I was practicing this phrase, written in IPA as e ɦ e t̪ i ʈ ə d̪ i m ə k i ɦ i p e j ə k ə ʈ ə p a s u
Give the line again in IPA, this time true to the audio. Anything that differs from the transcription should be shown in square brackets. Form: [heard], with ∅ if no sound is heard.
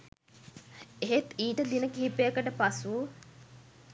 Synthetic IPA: e ɦ e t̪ [iː] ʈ ə d̪ i [n] ə k i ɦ i p e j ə k ə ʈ ə p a s u